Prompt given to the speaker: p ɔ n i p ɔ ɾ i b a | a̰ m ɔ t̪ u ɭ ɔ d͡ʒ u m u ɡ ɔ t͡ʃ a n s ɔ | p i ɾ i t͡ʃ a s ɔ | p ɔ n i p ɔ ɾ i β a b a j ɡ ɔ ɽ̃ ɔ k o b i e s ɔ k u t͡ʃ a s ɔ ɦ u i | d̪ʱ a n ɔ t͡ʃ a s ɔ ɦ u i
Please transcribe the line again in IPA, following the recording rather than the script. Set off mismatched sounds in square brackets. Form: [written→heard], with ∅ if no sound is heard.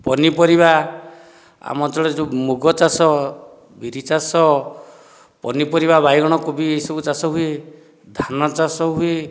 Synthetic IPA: p ɔ n i p ɔ ɾ i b a | a̰ m ɔ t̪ [u→ɔ] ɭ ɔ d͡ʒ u m u ɡ ɔ t͡ʃ a [n→∅] s ɔ | [p→b] i ɾ i t͡ʃ a s ɔ | p ɔ n i p ɔ ɾ i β a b a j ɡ ɔ ɽ̃ ɔ k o b i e s ɔ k u t͡ʃ a s ɔ ɦ u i | d̪ʱ a n ɔ t͡ʃ a s ɔ ɦ u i